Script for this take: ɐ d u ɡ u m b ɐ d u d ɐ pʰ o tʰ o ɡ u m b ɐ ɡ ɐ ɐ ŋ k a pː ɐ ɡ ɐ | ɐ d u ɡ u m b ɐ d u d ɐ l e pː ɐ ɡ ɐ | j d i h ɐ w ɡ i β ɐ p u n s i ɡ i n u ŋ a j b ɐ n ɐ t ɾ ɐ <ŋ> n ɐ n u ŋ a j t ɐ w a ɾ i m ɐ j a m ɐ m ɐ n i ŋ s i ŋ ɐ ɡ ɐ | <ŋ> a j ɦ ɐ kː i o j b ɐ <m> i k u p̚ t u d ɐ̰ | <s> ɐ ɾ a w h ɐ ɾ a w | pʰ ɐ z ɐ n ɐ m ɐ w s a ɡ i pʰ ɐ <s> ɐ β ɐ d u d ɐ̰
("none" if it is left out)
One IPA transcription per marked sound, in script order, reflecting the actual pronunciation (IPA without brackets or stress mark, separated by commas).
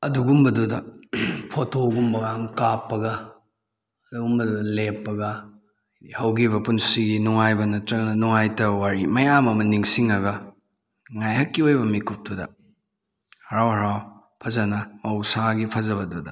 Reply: ŋ, ŋ, m, h, z